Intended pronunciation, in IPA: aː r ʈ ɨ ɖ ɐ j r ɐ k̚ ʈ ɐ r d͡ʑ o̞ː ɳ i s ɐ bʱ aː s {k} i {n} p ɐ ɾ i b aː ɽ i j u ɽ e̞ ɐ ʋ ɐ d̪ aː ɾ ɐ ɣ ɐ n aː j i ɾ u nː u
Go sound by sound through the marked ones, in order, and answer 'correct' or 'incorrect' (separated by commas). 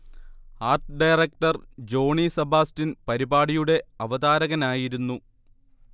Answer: incorrect, correct